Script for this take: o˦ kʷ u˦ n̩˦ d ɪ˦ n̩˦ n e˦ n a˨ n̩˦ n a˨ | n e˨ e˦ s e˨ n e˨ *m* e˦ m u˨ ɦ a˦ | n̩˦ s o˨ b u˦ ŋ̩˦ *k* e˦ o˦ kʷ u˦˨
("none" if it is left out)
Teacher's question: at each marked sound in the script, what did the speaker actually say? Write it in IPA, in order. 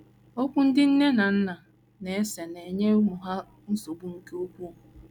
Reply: ɲ, k

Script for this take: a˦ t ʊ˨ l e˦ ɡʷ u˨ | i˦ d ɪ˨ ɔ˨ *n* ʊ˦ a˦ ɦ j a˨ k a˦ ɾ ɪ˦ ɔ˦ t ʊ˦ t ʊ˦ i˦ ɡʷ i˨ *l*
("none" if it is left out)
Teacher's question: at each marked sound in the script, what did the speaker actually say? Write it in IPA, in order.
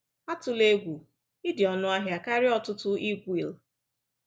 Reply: n, l

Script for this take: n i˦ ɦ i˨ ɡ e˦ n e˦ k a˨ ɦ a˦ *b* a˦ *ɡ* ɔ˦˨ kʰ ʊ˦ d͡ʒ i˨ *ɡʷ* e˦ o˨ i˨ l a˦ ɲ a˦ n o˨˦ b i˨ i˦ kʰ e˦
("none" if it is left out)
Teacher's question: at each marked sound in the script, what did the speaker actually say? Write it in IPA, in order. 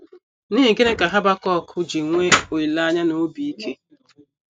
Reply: b, k, ŋʷ

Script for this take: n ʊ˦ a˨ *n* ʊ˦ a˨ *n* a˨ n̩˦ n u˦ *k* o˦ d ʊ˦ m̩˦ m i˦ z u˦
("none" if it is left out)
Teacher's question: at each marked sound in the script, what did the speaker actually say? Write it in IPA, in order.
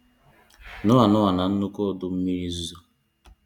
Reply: n, n, k

